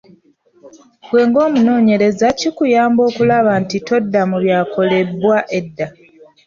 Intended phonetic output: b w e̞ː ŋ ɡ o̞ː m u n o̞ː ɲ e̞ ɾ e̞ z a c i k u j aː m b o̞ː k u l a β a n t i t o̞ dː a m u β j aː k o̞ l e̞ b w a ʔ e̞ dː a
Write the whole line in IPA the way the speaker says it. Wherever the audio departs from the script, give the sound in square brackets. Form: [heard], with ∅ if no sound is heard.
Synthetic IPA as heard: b w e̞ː ŋ ɡ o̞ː m u n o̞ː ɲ e̞ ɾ e̞ z a c i k u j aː m b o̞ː k u l a β a n t i t o̞ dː a m u β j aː k o̞ l e̞ b w a ʔ e̞ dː a